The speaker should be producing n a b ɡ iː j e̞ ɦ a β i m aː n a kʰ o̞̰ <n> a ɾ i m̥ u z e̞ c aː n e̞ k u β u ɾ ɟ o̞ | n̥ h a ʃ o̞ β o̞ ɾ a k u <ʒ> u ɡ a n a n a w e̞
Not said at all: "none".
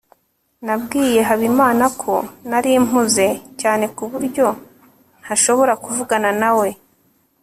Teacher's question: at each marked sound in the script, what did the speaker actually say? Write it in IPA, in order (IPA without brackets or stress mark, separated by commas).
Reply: n, v